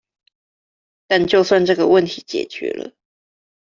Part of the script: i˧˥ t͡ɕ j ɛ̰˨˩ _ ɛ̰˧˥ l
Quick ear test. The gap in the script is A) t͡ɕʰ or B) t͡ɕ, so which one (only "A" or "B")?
B